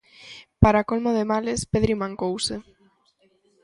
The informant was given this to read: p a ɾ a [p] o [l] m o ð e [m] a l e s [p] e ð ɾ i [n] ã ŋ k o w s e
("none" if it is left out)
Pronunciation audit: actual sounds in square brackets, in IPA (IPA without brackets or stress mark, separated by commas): k, l, m, p, m